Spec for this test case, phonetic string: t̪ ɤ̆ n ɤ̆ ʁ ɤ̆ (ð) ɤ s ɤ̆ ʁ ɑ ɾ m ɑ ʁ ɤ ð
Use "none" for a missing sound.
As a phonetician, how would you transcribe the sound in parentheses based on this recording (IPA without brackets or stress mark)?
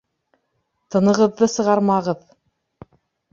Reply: ðː